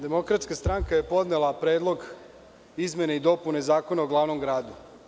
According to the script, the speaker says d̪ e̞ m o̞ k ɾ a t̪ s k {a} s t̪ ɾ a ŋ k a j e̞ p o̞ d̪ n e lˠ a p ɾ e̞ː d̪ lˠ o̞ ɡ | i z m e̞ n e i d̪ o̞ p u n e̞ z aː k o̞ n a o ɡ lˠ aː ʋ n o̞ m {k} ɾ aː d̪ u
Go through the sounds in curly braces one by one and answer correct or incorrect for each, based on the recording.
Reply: correct, incorrect: ɡ

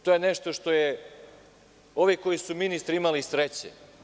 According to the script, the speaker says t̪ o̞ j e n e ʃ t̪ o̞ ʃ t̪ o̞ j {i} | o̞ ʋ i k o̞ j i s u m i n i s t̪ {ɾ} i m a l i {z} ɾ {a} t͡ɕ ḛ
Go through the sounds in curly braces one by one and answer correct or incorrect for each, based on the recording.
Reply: incorrect: e, correct, incorrect: s, incorrect: e

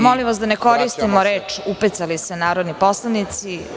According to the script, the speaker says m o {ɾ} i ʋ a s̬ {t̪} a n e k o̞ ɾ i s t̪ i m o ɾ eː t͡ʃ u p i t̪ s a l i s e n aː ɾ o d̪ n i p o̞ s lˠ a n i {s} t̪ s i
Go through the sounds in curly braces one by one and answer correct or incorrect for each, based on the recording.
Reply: incorrect: l, incorrect: d̪, incorrect: none

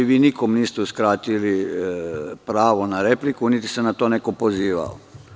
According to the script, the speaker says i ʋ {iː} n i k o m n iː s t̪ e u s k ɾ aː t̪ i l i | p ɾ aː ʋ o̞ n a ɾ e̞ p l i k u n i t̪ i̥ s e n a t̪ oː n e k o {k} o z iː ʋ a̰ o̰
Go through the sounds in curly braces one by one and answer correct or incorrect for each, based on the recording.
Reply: correct, incorrect: p

